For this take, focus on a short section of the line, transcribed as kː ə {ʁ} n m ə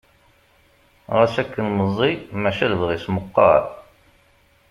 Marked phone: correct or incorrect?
incorrect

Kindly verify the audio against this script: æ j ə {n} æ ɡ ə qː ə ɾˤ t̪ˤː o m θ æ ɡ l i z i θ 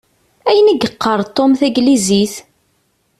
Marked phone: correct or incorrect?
correct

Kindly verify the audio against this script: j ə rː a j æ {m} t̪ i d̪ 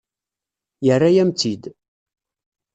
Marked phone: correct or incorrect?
correct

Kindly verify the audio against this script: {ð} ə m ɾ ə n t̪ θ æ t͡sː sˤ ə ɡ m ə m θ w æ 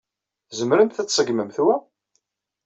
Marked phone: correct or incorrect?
incorrect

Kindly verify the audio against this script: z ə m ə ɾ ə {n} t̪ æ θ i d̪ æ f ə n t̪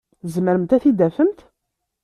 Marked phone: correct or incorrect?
incorrect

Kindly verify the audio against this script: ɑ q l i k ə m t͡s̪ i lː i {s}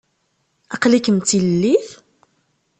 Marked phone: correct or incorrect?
incorrect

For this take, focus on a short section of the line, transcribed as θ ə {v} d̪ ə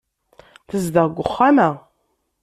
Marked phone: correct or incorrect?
incorrect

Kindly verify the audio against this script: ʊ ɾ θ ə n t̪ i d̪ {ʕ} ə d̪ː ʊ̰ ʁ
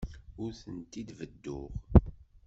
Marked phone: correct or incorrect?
incorrect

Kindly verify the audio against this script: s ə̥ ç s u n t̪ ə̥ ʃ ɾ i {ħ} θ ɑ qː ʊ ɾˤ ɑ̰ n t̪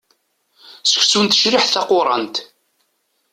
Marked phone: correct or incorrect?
correct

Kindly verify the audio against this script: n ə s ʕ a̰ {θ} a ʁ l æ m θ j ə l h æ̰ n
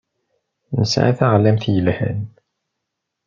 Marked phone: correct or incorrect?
correct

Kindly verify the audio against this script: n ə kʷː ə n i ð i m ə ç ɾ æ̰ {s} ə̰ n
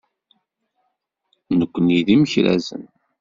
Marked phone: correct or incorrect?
incorrect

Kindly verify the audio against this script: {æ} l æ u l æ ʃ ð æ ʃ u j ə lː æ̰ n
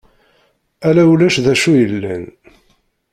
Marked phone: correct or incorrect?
correct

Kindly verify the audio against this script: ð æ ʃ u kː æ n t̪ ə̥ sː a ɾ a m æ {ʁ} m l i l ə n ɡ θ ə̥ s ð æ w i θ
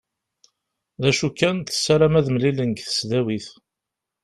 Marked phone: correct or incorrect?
incorrect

